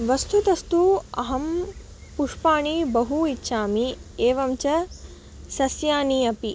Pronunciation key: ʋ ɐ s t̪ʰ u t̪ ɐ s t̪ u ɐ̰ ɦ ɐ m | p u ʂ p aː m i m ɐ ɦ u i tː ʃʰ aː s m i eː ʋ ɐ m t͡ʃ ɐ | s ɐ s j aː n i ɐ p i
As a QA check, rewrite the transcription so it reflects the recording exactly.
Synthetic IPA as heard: ʋ ɐ s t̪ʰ u t̪ ɐ s t̪ u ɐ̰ ɦ ɐ m | p u ʂ p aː ɳ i b ɐ ɦ u i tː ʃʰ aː m i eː ʋ ɐ m t͡ʃ ɐ | s ɐ s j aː n i ɐ p i